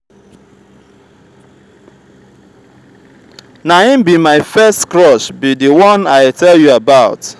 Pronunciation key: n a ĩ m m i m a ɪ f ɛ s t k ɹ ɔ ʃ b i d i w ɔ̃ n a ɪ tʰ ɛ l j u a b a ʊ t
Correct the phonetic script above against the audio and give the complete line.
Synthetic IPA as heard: n a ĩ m b i m a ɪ f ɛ s t k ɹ ɔ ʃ b i d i w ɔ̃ n a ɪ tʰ ɛ l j u a b a ʊ t